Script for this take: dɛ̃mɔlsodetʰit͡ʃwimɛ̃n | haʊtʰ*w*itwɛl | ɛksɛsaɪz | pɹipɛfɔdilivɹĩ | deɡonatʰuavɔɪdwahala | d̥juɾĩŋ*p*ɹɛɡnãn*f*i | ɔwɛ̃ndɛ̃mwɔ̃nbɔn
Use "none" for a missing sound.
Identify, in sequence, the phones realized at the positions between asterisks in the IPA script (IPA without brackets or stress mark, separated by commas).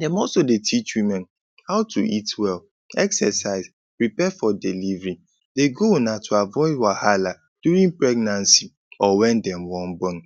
u, p, s